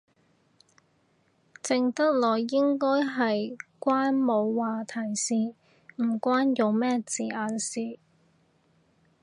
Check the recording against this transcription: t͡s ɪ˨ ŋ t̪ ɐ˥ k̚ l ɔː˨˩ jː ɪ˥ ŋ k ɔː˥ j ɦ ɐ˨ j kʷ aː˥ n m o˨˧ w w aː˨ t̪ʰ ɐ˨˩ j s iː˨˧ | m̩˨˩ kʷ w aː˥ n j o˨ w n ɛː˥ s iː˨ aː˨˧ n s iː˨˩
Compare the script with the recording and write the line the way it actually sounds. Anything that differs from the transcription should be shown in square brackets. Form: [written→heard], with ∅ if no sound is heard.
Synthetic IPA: t͡s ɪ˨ ŋ t̪ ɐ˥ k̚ l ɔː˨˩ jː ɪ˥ ŋ k ɔː˥ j ɦ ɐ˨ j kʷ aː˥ n m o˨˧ w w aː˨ t̪ʰ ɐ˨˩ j s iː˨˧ | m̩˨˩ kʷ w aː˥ n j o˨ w [n→m] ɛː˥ [s→t͡s] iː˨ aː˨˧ n s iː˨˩